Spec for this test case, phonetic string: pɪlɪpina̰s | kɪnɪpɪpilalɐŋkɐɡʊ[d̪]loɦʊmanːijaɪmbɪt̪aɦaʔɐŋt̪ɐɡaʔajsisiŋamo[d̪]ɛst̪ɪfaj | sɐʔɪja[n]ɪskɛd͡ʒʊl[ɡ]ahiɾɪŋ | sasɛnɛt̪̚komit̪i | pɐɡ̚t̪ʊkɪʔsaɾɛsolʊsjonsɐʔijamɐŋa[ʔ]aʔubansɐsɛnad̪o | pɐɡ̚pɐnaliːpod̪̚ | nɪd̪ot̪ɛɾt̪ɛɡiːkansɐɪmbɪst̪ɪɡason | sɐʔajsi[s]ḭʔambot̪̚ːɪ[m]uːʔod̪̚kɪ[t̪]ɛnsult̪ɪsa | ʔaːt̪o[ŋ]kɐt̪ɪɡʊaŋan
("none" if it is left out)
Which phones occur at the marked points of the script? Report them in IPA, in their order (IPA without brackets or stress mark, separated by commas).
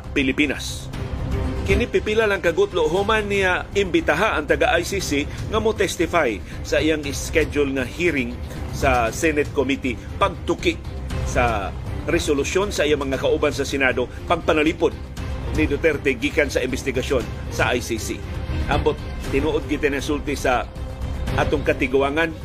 t̪, t̪, ŋ, ŋ, k, s, n, t̪, ŋ